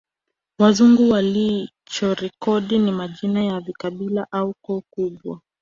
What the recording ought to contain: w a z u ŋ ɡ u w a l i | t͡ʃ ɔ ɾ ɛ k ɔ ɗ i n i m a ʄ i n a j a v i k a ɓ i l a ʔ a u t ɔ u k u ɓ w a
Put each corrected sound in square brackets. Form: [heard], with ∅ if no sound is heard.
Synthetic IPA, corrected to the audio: w a z u ŋ ɡ u w a l i | t͡ʃ ɔ ɾ ɛ k ɔ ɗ i n i m a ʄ i n a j a v i k a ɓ i l a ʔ a u [k] ɔ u k u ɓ w a